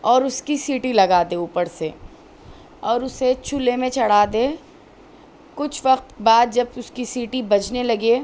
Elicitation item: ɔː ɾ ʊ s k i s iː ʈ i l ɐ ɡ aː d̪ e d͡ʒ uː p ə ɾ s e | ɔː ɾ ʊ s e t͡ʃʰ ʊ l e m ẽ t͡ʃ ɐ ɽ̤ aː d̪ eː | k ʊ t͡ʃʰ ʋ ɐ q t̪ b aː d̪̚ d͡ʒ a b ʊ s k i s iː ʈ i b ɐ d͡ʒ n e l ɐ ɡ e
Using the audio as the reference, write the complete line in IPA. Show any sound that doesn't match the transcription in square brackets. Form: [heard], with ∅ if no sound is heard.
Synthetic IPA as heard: ɔː ɾ ʊ s k i s iː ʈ i l ɐ ɡ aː d̪ e [∅] uː p ə ɾ s e | ɔː ɾ ʊ s e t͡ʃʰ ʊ l e m ẽ t͡ʃ ɐ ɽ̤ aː d̪ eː | k ʊ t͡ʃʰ ʋ ɐ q t̪ b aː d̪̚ d͡ʒ [ɐ] b ʊ s k i s iː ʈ i b ɐ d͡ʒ n e l ɐ ɡ e